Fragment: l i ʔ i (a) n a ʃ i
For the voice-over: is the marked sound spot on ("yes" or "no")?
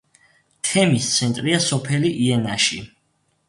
no